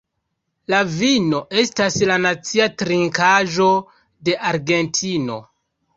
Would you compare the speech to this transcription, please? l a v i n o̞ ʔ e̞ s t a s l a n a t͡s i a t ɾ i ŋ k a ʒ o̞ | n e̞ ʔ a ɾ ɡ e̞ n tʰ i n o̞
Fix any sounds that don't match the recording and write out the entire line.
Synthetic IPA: l a v i n o̞ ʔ e̞ s t a s l a n a t͡s i a t ɾ i ŋ k a ʒ o̞ | d e̞ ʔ a ɾ ɡ e̞ n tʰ i n o̞